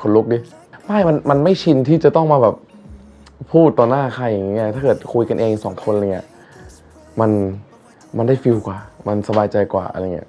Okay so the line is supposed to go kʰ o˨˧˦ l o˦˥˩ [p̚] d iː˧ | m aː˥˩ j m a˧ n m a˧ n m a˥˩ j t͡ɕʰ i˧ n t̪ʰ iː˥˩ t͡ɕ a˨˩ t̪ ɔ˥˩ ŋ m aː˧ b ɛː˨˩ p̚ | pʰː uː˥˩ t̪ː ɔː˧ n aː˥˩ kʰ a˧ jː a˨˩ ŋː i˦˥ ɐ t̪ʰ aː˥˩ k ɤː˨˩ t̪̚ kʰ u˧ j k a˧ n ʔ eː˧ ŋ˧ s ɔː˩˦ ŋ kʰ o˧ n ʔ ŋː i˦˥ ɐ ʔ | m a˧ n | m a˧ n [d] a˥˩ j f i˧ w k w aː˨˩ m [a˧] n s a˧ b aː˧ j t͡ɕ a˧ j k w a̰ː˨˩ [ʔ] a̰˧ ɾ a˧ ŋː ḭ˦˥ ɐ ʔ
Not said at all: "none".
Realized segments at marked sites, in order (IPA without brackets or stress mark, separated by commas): k̚, d, a˧, ʔ